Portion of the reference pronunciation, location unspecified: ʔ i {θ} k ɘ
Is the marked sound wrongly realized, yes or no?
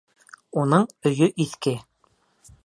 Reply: no